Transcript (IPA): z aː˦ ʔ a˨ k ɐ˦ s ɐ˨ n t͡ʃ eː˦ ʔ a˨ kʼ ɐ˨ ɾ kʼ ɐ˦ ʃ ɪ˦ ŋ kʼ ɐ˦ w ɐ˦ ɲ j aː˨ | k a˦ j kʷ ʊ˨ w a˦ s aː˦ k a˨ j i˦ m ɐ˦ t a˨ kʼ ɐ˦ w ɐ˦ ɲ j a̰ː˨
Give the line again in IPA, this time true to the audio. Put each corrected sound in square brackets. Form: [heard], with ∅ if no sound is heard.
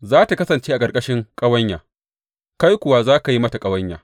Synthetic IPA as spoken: z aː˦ [t] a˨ k ɐ˦ s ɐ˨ n t͡ʃ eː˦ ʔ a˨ kʼ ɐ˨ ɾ kʼ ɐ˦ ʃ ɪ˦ ŋ kʼ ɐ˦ w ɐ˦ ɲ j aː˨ | k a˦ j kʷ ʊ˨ w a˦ [z] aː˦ k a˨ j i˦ m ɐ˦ t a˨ kʼ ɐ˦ w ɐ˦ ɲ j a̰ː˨